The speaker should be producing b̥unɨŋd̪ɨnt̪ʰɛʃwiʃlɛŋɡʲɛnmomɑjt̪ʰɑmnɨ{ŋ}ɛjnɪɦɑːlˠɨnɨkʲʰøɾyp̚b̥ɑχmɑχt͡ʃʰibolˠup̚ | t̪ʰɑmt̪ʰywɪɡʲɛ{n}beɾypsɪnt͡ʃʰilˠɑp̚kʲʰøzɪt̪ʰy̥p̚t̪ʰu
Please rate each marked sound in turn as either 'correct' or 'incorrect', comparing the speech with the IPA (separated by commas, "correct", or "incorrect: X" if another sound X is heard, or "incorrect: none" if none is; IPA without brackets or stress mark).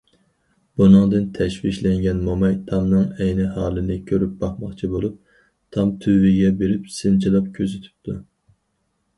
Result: correct, incorrect: none